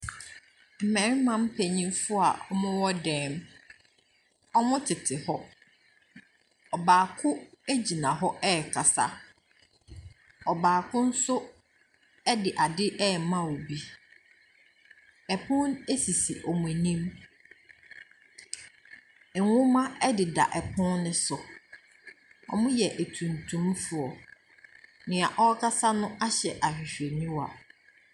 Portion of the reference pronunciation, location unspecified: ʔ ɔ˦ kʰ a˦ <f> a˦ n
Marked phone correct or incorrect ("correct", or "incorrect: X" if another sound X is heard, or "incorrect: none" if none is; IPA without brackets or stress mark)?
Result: incorrect: s